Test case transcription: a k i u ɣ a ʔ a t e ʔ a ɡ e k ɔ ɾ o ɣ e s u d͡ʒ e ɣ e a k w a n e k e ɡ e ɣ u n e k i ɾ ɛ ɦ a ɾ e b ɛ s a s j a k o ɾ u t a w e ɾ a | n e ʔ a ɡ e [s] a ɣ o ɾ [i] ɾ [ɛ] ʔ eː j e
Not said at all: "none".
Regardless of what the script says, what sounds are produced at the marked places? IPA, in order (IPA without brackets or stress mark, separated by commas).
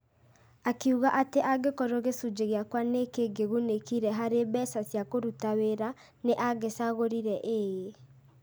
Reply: s, i, ɛ